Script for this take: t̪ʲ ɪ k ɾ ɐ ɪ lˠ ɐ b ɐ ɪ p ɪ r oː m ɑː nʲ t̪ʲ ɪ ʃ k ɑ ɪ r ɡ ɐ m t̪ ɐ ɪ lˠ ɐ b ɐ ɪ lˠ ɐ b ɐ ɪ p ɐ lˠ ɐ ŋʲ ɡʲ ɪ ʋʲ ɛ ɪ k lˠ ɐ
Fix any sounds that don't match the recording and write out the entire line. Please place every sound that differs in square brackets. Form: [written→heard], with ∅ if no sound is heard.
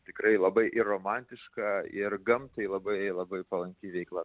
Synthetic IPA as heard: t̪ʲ ɪ k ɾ ɐ ɪ lˠ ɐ b ɐ ɪ [p→ʔ] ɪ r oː m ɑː nʲ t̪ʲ ɪ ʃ k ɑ ɪ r ɡ ɐ m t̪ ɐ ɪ lˠ ɐ b ɐ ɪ lˠ ɐ b ɐ ɪ p ɐ lˠ ɐ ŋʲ [ɡʲ→kʲ] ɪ ʋʲ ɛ ɪ k lˠ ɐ